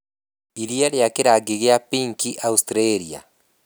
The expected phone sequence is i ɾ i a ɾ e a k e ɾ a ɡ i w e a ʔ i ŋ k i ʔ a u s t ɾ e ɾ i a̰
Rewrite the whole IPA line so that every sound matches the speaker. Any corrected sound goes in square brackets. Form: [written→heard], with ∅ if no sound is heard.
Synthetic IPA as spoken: i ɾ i a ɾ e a k e ɾ a ɡ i [w→ɣ] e a [ʔ→p] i ŋ k i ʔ a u s t ɾ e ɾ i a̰

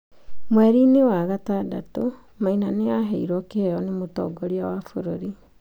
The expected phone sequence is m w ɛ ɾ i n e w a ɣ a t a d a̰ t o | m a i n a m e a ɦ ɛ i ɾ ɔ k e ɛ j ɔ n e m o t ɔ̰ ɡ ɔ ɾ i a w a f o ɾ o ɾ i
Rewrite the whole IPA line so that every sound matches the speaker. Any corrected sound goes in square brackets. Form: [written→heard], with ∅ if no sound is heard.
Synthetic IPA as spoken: m w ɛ ɾ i n e w a ɣ a t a d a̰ t o | m a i n a [m→n] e a ɦ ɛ i ɾ ɔ k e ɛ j ɔ n e m o t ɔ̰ ɡ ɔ ɾ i a w a f o ɾ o ɾ i

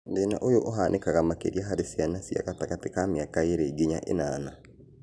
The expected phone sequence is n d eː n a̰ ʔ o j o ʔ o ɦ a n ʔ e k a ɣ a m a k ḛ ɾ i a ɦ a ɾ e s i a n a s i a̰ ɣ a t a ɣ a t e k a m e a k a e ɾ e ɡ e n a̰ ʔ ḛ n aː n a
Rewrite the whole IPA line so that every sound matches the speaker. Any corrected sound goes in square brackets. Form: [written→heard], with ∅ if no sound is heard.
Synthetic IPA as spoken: n d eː n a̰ ʔ o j o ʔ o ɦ a n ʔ e k a ɣ a m a k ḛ ɾ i a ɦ a ɾ e s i a n a s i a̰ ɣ a t a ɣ a t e k a m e a k a e ɾ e ɡ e [n→ɲ] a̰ ʔ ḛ n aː n a

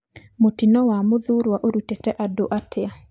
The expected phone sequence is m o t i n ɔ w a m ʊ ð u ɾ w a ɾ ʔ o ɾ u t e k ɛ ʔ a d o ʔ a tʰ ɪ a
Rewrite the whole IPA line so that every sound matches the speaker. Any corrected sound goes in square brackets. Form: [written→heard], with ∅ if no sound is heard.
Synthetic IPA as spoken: m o t i n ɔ w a m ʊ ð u ɾ w a [ɾ→∅] ʔ o ɾ u t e [k→t] ɛ ʔ a d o ʔ a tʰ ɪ a

